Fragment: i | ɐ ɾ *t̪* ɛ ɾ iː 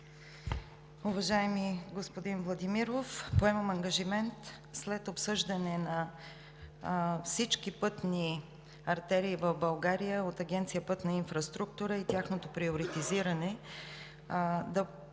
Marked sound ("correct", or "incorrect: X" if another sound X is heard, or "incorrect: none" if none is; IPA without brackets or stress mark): correct